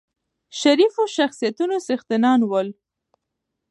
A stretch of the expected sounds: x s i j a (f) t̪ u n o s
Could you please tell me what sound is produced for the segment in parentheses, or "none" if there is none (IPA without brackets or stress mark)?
none